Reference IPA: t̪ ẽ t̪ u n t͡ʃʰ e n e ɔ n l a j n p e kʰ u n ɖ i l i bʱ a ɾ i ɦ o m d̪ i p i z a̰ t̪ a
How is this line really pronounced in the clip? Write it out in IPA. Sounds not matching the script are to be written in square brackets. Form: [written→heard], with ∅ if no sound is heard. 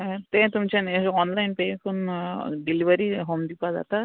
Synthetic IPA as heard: t̪ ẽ t̪ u [n→m] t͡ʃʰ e n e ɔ n l a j n p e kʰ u n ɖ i l i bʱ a ɾ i ɦ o m d̪ i p [i→a] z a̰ t̪ a

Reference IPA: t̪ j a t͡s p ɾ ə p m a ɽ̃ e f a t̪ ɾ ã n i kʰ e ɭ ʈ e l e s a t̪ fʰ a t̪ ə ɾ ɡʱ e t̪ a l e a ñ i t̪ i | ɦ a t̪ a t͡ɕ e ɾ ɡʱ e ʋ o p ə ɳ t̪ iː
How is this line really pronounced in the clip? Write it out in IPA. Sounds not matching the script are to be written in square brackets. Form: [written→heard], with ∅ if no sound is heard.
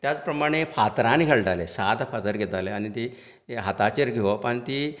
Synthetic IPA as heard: t̪ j a t͡s p ɾ ə [p→∅] m a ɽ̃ e f a t̪ ɾ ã n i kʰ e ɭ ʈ [e→a] l e s a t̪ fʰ a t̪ ə ɾ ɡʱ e t̪ a l e a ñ i t̪ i | ɦ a t̪ a t͡ɕ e ɾ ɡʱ e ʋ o p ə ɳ t̪ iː

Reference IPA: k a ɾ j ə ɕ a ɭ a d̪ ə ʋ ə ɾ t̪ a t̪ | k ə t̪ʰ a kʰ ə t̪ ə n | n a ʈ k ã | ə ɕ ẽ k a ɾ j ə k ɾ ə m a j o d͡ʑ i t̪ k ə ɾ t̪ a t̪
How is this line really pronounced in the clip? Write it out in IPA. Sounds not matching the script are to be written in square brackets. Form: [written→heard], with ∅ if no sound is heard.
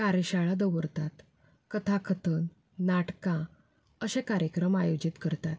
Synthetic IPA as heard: k a ɾ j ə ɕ a ɭ a d̪ ə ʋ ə ɾ t̪ a t̪ | k ə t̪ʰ a kʰ ə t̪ ə n | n a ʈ k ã | ə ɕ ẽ k a ɾ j ə k ɾ ə m a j o d͡ʑ i t̪ k ə ɾ t̪ a t̪

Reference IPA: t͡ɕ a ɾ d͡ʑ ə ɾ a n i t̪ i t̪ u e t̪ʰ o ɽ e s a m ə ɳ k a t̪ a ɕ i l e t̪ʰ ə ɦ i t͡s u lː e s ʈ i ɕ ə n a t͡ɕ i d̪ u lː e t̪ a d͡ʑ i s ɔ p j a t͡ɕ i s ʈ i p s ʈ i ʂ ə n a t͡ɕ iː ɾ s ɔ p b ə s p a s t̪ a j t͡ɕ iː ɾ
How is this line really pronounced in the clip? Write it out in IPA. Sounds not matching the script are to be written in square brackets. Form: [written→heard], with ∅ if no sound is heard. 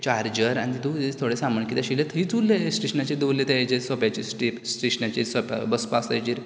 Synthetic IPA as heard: t͡ɕ a ɾ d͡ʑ ə ɾ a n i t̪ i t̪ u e t̪ʰ o ɽ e s a m ə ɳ k [a→i] t̪ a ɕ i l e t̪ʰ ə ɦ i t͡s u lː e s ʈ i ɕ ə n a t͡ɕ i d̪ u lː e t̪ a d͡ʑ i s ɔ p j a t͡ɕ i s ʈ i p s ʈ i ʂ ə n a t͡ɕ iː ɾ s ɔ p b ə s p a s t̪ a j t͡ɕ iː ɾ

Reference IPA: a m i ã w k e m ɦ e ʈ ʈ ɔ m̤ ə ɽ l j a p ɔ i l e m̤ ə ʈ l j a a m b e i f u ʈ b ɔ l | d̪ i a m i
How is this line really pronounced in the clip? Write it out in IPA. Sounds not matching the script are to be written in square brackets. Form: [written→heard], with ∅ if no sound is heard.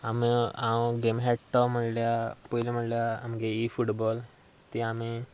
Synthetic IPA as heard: a m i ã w [k→ɡ] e m ɦ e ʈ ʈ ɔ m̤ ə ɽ l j a p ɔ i l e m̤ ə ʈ l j a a m [b→ɡ] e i f u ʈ b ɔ l | [d̪→t̪] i a m i

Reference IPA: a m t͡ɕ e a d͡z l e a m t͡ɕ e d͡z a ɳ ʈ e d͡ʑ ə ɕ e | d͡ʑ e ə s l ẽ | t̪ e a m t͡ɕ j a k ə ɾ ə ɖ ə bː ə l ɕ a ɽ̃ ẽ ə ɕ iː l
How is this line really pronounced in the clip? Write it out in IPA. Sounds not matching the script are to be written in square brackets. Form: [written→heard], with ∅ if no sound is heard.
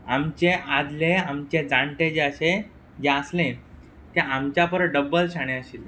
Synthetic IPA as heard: a m t͡ɕ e a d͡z l e a m t͡ɕ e d͡z a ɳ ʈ e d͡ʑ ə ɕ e | d͡ʑ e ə s l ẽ | t̪ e a m t͡ɕ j a [k→p] ə ɾ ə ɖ ə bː ə l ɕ a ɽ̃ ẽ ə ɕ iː l

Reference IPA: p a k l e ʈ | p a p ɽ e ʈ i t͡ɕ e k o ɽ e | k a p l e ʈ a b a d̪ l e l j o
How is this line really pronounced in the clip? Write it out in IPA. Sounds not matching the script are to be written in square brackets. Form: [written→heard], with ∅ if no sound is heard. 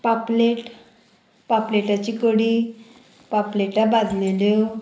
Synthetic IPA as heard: p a [k→p] l e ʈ | p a p [ɽ→l] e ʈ [i→a] t͡ɕ [e→i] k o ɽ [e→i] | [k→p] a p l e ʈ a b a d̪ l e l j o

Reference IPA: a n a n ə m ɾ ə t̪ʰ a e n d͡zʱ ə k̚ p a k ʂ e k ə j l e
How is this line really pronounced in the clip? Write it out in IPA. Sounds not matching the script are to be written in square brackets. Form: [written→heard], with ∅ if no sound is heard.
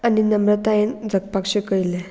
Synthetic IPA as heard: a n [a→i] n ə m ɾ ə [t̪ʰ→t̪] a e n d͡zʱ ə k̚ p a k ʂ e k ə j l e

